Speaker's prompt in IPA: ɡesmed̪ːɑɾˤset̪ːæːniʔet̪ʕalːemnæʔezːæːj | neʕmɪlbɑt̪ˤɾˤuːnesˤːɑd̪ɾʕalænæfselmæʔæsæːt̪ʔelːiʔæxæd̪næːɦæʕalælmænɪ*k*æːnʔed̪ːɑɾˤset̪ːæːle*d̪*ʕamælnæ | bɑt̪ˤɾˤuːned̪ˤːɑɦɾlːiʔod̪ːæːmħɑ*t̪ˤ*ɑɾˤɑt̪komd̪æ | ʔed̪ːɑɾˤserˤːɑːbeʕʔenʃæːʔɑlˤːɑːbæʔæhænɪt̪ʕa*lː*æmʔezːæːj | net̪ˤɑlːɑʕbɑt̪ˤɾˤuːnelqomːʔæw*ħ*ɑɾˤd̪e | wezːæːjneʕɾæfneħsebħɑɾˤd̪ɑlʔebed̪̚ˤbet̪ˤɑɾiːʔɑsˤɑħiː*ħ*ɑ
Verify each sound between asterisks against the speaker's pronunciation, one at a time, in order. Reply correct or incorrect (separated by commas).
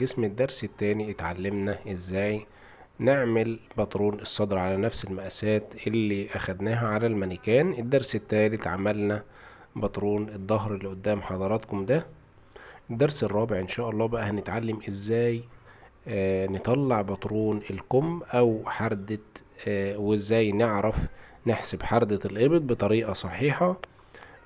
correct, incorrect, incorrect, correct, correct, correct